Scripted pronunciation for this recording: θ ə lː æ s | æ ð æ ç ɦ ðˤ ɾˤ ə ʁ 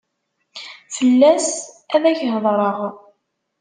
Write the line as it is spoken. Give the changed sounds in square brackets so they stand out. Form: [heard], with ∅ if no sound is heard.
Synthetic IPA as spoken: [f] ə lː æ s | æ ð æ ç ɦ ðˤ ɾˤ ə ʁ